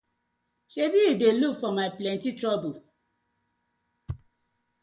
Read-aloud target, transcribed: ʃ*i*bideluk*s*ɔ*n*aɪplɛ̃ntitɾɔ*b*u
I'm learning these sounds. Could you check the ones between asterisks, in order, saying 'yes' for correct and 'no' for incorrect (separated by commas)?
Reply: no, no, no, yes